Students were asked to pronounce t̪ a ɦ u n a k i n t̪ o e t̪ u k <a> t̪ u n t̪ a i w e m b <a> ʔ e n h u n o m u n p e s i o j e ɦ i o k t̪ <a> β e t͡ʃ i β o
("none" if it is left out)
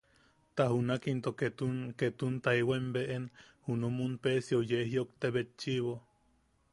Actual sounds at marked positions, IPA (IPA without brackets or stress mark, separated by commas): e, e, e